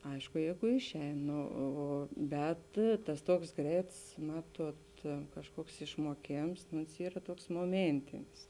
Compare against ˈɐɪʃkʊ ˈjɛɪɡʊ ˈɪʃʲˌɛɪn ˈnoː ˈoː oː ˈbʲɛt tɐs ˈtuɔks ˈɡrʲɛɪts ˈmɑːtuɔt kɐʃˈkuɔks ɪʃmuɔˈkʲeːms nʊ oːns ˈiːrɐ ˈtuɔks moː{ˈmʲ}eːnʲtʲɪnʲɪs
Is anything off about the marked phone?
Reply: no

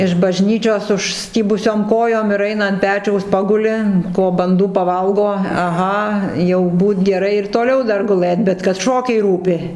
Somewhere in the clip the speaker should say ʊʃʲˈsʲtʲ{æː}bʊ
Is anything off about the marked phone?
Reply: yes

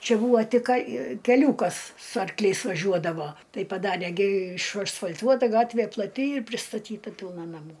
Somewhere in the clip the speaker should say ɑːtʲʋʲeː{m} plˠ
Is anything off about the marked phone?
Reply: yes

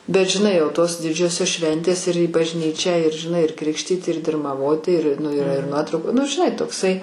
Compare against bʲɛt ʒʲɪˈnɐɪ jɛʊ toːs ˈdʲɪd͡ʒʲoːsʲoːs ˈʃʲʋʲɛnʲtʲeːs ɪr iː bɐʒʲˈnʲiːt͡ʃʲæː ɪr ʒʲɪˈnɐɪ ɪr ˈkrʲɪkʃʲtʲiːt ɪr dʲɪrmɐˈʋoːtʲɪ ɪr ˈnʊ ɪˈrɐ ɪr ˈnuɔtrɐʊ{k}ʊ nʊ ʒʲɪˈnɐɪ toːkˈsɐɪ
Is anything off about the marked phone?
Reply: no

